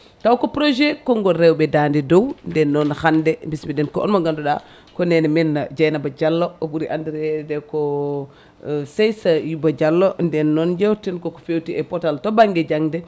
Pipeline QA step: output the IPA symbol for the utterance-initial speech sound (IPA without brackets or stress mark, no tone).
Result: t